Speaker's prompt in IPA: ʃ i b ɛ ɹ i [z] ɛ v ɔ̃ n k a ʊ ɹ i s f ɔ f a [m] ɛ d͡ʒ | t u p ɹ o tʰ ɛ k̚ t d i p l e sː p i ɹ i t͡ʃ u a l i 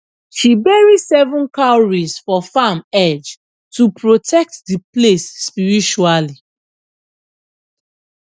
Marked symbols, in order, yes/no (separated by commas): no, yes